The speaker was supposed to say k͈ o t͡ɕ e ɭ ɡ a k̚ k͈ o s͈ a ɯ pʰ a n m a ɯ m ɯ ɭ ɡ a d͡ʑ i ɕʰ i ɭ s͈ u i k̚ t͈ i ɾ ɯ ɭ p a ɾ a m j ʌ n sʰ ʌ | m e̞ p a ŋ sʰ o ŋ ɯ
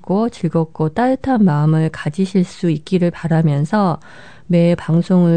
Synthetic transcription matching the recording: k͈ o t͡ɕ i ɭ ɡ ʌ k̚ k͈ o t͈ a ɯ tʰ a n m a ɯ m ɯ ɭ k a d͡ʑ i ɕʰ i ɭ s͈ u i k̚ k͈ i ɾ ɯ ɭ p a ɾ a m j ʌ n sʰ ʌ | m e̞ p a ŋ sʰ o ŋ ɯ